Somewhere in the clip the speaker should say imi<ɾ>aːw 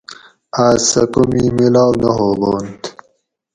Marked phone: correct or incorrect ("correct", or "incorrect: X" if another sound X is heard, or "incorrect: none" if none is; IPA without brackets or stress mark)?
incorrect: l